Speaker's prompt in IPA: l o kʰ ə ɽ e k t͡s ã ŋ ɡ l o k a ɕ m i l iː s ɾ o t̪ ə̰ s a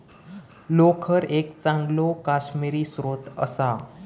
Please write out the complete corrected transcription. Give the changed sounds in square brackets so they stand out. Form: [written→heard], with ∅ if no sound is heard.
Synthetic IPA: l o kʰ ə [ɽ→ɾ] e k t͡s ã ŋ ɡ l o k a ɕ m i [l→ɾ] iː s ɾ o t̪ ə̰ s a